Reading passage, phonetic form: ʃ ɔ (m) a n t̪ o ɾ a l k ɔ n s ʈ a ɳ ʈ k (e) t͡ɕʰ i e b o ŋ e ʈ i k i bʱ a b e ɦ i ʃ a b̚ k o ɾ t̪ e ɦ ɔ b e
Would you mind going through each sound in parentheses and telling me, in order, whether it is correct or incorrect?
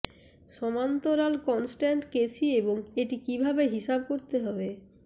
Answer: correct, correct

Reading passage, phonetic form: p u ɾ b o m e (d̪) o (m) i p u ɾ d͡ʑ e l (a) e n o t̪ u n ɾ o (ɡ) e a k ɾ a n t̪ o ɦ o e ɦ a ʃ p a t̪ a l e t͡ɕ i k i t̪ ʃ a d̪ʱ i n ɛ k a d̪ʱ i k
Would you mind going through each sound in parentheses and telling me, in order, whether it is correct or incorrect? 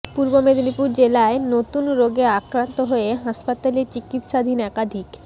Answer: correct, incorrect: n, correct, correct

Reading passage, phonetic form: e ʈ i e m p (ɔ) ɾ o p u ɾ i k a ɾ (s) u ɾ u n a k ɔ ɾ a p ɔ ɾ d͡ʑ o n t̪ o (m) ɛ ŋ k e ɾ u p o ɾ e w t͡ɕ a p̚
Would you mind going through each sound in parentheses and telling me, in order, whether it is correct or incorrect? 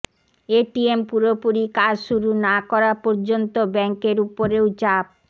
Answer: incorrect: u, incorrect: ʃ, incorrect: b

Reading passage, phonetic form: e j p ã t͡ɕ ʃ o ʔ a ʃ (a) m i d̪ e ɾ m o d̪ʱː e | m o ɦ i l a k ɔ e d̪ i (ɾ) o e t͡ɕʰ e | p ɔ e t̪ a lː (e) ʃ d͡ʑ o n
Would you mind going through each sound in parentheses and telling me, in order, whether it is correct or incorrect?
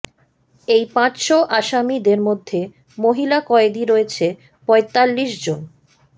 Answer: correct, correct, incorrect: i

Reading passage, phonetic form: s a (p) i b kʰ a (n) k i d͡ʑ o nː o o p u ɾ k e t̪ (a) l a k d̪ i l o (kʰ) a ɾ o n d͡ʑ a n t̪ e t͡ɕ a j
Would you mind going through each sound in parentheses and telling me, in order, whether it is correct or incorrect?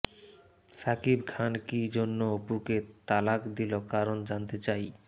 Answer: incorrect: k, correct, correct, incorrect: k

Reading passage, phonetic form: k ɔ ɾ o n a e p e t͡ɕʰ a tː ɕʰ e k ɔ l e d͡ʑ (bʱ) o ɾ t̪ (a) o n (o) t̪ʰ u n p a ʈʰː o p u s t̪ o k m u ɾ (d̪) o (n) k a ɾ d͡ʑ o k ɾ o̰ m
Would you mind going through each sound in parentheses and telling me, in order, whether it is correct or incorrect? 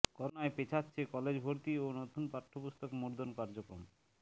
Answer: correct, incorrect: i, correct, correct, correct

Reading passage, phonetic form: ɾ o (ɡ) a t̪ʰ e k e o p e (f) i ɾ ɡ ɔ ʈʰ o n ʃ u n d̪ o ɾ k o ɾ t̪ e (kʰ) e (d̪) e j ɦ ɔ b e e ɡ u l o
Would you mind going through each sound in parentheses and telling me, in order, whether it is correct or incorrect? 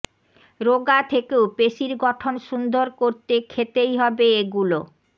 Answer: correct, incorrect: ʃ, correct, incorrect: t̪

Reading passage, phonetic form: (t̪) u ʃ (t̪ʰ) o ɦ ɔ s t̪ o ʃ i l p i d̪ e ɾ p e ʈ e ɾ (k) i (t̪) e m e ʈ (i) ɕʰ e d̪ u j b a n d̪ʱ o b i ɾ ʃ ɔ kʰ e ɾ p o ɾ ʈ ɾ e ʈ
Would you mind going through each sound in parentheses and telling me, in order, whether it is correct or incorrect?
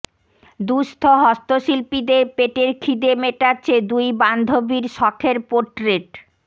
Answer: incorrect: d̪, correct, incorrect: kʰ, incorrect: d̪, incorrect: a

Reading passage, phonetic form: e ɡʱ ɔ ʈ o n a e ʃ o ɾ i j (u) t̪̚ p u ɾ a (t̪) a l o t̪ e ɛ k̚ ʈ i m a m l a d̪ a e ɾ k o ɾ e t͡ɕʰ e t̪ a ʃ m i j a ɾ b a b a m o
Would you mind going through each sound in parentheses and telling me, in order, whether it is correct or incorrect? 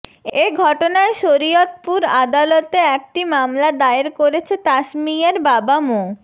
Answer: incorrect: o, incorrect: d̪

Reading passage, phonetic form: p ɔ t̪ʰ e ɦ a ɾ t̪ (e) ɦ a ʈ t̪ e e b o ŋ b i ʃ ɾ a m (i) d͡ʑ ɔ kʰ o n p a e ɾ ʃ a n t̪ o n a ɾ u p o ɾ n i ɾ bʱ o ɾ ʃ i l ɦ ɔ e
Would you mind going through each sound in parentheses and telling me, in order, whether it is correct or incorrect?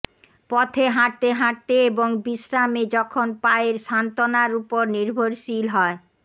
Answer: correct, incorrect: e

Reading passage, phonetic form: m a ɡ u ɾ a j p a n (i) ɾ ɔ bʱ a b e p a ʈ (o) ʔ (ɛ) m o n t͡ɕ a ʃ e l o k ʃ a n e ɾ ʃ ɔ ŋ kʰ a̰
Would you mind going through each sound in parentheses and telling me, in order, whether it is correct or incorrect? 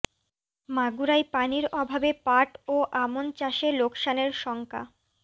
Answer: correct, correct, incorrect: a

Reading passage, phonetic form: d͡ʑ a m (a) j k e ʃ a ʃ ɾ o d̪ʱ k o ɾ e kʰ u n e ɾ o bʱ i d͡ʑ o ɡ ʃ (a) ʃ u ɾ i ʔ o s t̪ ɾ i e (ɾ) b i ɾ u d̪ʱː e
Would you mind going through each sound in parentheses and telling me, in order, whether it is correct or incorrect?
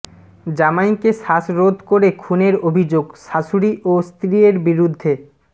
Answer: correct, correct, correct

